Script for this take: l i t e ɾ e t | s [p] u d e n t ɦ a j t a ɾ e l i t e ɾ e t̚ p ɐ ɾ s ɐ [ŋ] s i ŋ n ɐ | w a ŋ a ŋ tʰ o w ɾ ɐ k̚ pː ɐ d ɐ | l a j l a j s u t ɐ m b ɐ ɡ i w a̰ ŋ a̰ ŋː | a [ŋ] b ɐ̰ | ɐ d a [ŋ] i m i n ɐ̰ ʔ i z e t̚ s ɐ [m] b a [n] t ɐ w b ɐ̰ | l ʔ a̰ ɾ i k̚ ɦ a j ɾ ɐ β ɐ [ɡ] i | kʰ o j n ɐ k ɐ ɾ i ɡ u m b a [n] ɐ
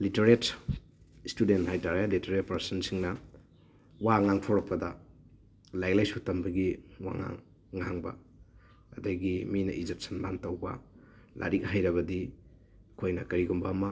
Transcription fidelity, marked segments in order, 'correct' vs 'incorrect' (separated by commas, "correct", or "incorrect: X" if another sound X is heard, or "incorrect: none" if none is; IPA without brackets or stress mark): incorrect: t, incorrect: n, correct, incorrect: ɡ, incorrect: n, correct, incorrect: d, incorrect: m